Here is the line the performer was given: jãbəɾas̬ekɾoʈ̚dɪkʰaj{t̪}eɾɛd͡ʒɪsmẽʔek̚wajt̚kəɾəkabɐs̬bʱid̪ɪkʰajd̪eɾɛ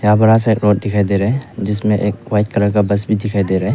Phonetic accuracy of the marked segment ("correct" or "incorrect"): incorrect